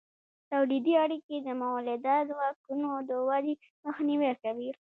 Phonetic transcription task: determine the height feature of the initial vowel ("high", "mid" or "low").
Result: low